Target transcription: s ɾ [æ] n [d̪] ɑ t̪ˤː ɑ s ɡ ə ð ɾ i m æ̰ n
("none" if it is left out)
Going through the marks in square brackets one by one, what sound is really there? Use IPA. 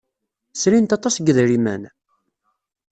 i, t̪

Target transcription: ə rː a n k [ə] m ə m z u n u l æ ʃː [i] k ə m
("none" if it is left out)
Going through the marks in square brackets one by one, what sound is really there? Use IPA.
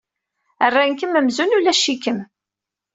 ə, i

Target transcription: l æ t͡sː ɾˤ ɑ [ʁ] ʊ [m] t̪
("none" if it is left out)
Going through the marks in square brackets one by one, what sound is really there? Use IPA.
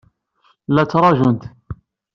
ʒ, n

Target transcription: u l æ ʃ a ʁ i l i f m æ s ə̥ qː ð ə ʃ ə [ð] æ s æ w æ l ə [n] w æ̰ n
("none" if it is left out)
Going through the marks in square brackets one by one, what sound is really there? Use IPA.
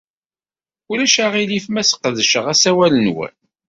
ʁ, n

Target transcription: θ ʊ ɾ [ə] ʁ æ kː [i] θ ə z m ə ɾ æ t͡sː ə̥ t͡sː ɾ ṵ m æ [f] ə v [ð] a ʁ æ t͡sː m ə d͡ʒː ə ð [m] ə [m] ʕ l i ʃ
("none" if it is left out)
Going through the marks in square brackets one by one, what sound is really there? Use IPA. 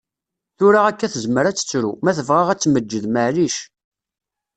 a, æ, θ, ʁ, m, none

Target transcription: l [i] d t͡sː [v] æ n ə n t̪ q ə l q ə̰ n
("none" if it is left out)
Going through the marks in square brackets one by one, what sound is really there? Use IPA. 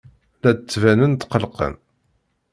æ, v

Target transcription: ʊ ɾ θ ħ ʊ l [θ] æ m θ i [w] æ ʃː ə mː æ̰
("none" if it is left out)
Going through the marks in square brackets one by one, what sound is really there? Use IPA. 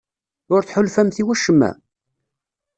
f, w

